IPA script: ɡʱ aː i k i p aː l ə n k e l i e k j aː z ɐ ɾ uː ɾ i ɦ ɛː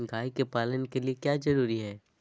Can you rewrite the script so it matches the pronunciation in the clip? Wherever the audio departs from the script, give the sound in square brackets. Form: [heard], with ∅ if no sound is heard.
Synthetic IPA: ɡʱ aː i k [e] p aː l ə n k e l i e k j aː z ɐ ɾ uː ɾ i ɦ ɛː